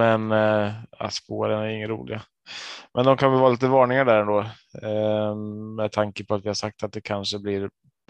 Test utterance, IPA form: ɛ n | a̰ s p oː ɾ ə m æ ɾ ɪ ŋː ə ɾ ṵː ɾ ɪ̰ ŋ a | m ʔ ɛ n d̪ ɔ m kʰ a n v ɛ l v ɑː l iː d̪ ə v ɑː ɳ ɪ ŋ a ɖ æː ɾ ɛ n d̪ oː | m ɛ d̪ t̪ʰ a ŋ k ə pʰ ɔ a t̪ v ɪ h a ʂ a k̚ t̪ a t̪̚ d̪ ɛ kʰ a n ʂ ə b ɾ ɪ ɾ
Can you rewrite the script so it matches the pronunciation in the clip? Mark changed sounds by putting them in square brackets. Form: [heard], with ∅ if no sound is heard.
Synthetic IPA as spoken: ɛ n | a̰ s p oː ɾ ə [n] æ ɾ ɪ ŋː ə ɾ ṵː [l] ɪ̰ [ɡ] a | m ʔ ɛ n d̪ ɔ m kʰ a n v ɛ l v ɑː l iː [t̪] ə v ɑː ɳ ɪ ŋ a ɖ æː ɾ ɛ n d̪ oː | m ɛ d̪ t̪ʰ a ŋ k ə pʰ ɔ a t̪ v ɪ h a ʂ a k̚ t̪ a t̪̚ d̪ ɛ kʰ a n ʂ ə b [l] ɪ ɾ